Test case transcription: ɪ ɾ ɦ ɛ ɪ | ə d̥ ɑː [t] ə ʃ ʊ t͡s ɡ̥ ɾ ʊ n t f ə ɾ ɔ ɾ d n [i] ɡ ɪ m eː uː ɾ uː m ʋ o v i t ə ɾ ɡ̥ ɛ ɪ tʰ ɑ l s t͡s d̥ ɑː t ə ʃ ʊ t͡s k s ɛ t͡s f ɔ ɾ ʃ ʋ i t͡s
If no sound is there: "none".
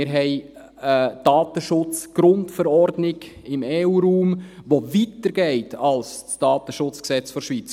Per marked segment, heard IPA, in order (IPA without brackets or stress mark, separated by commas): t, ɪ